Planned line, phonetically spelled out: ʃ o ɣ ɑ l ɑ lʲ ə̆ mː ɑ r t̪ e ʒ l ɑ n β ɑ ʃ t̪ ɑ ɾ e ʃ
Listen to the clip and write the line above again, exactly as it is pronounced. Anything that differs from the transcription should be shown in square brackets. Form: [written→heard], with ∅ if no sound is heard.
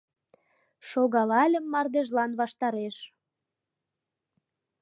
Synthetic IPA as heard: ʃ o ɣ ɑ l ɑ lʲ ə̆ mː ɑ r [t̪→d̪] e ʒ l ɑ n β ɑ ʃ t̪ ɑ ɾ e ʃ